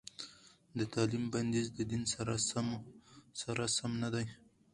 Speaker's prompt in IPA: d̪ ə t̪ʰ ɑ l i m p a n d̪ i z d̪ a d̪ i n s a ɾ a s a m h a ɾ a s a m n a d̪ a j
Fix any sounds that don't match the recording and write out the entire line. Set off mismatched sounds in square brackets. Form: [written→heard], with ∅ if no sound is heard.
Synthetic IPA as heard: d̪ ə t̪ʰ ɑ l i m [p→b] a n d̪ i z d̪ [a→ə] d̪ i n s a ɾ a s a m [h→s] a ɾ a s a m n a d̪ a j